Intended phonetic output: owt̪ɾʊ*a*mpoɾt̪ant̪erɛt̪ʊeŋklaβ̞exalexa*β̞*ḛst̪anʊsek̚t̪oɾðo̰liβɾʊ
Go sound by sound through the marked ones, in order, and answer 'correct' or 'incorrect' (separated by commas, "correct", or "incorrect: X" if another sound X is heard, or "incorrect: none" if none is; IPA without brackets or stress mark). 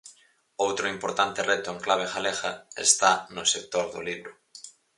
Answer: incorrect: i, incorrect: none